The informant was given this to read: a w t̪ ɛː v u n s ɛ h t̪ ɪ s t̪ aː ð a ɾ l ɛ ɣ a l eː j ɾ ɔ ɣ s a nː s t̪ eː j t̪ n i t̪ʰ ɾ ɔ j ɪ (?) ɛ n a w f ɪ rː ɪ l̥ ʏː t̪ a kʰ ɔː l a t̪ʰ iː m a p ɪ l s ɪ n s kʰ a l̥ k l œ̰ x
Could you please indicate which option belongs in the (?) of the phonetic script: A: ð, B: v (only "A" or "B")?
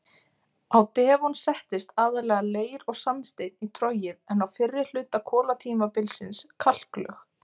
A